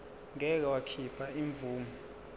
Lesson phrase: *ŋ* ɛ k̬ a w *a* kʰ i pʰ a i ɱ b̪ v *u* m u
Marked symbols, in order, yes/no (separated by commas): yes, yes, no